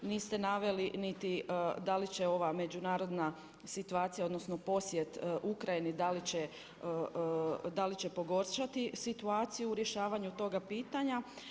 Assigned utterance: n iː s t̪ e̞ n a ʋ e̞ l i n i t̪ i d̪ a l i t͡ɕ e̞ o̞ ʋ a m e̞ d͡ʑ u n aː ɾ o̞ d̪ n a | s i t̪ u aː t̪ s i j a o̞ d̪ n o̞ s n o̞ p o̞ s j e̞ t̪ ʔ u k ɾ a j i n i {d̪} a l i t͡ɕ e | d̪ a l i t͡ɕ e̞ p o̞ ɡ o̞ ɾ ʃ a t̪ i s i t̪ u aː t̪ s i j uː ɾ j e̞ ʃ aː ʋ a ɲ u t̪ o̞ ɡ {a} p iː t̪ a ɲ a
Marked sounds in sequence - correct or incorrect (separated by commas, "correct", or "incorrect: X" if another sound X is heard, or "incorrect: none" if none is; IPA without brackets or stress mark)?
correct, correct